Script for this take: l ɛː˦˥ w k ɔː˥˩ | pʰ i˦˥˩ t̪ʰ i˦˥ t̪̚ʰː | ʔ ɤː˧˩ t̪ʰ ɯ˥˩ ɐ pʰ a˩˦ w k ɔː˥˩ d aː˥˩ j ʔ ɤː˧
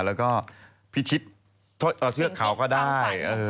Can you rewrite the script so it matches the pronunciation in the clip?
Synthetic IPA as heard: l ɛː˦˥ w k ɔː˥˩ | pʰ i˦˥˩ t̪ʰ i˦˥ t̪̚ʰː | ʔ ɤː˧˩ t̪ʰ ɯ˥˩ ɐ kʰ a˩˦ w k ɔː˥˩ d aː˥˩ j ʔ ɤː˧